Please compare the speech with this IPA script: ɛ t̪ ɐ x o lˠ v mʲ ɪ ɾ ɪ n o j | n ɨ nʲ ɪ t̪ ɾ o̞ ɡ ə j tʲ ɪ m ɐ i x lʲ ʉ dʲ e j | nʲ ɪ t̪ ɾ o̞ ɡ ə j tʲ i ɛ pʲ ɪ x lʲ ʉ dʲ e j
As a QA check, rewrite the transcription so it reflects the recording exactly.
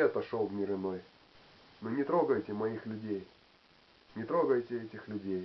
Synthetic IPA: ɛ t̪ ɐ ʂ o lˠ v mʲ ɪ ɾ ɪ n o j | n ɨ nʲ ɪ t̪ ɾ o̞ ɡ ə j tʲ ɪ m ɐ i x lʲ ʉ dʲ e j | nʲ ɪ t̪ ɾ o̞ ɡ ə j tʲ ɪ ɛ tʲ ɪ x lʲ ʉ dʲ e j